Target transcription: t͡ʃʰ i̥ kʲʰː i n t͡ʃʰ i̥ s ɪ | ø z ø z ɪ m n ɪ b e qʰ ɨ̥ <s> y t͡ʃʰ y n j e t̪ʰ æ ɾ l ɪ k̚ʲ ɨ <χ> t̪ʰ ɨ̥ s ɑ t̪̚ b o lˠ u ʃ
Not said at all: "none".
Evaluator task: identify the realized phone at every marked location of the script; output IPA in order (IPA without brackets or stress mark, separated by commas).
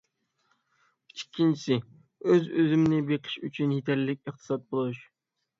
ʃ, χ